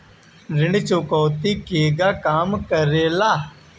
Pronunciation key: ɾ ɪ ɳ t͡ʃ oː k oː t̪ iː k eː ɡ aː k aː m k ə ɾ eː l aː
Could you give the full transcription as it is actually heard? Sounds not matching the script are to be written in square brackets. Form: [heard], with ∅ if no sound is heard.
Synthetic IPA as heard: ɾ ɪ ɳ t͡ʃ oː k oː t̪ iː k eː ɡ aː k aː m k ə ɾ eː l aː